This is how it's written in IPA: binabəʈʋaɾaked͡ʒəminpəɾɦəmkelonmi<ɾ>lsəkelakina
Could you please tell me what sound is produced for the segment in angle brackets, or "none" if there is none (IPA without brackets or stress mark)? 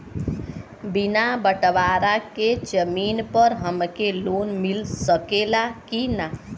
none